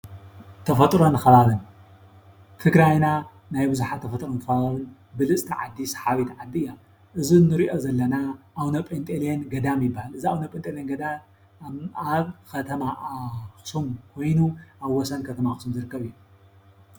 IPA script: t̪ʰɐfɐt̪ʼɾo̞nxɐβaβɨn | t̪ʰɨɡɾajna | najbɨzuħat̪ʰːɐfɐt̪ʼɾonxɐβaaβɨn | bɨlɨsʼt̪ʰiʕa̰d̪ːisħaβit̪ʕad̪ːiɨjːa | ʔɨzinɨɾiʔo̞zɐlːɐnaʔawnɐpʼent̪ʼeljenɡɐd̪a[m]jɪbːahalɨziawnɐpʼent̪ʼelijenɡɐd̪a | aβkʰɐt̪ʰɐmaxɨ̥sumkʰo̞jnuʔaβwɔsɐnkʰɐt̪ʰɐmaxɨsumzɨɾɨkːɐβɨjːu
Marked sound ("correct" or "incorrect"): correct